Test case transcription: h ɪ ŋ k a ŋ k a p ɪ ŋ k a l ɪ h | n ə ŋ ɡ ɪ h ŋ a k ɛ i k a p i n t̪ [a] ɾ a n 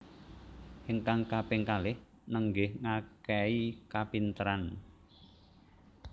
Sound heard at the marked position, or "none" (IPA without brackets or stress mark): ə